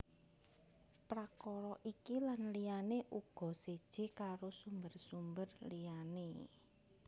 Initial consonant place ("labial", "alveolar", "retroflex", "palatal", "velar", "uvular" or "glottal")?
labial